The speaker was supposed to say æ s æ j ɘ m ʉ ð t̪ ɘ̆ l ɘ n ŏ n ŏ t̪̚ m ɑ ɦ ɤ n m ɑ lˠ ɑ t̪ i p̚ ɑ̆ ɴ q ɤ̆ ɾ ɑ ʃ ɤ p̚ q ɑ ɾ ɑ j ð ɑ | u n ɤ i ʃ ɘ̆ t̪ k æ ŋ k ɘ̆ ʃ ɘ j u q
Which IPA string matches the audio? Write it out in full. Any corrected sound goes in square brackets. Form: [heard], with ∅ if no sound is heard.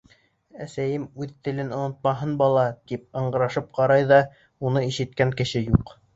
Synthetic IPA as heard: æ s æ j ɘ m ʉ ð t̪ ɘ̆ l ɘ n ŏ n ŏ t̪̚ m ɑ ɦ ɤ n [b] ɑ lˠ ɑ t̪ i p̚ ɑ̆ ɴ [ɢ] ɤ̆ ɾ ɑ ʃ ɤ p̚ q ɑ ɾ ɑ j ð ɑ | u n ɤ i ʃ ɘ̆ t̪ k æ ŋ k ɘ̆ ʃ ɘ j u q

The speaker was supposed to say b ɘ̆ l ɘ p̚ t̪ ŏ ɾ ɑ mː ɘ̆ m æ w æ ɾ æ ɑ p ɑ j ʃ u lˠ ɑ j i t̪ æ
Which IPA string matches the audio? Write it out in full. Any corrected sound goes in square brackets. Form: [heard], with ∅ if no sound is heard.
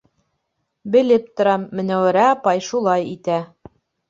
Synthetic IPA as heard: b ɘ̆ l ɘ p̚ t̪ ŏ ɾ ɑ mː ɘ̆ [n] æ w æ ɾ æ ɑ p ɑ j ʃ u lˠ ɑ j i t̪ æ

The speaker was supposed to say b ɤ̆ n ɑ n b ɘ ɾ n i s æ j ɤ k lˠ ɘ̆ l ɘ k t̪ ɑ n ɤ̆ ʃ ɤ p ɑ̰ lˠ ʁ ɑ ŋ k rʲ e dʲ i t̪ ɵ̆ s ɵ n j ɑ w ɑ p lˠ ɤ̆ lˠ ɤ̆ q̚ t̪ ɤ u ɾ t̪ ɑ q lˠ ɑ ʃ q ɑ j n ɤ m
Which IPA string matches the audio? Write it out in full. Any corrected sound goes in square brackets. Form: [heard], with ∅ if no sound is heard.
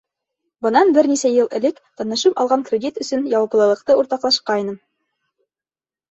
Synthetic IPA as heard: b ɤ̆ n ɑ n b ɘ ɾ n i s æ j ɤ [∅] lˠ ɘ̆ l ɘ k t̪ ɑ n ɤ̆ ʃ ɤ p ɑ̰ lˠ ʁ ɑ ŋ k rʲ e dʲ i t̪ ɵ̆ s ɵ n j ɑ w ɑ p lˠ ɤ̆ lˠ ɤ̆ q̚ t̪ ɤ u ɾ t̪ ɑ q lˠ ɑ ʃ q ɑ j n ɤ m

